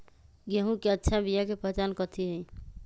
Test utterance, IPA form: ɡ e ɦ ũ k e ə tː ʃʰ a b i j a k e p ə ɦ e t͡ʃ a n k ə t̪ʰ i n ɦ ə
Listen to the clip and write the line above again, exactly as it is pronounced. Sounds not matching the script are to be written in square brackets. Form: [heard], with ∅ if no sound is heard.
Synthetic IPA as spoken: ɡ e ɦ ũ k e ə tː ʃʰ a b i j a k e p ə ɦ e t͡ʃ a n k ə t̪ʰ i [∅] ɦ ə